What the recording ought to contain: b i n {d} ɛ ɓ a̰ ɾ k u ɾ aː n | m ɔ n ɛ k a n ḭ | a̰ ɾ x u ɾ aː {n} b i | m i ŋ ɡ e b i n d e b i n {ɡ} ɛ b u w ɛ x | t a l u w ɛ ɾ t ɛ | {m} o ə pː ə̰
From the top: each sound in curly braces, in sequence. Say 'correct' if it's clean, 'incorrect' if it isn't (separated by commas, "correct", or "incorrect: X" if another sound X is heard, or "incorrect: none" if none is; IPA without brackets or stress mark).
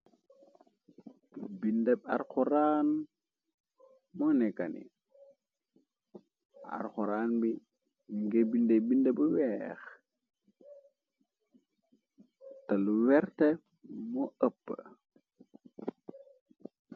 correct, correct, incorrect: d, correct